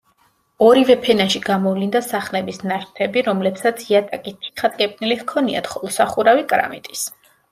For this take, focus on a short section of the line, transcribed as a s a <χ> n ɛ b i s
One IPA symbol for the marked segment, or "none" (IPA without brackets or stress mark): χ